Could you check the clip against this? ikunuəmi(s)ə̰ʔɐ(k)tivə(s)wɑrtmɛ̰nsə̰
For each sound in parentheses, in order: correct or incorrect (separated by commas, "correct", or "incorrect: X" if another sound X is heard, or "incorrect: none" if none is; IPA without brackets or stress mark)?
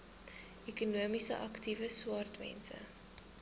correct, correct, correct